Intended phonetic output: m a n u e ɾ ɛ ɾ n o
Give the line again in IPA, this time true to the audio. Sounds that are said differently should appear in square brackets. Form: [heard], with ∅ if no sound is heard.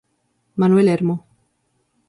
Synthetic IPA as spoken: m a n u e [l] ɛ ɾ [m] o